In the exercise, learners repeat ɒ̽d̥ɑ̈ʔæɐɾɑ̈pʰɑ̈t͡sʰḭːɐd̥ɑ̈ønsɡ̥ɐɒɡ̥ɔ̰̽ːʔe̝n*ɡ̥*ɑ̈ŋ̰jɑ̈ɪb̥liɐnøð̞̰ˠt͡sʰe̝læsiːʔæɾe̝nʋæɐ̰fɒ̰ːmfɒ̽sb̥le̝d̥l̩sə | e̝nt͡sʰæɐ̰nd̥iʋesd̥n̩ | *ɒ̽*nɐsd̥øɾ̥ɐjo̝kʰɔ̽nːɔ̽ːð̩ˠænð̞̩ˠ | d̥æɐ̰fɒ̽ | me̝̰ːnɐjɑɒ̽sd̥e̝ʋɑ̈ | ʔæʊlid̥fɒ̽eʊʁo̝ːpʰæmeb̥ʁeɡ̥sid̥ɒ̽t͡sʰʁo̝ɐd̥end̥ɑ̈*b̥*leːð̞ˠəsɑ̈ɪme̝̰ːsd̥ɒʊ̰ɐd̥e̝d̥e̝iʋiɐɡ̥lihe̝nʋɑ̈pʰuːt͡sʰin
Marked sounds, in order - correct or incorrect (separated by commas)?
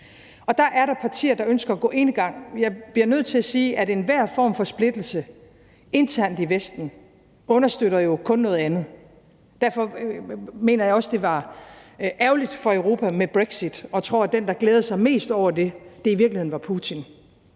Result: correct, incorrect, incorrect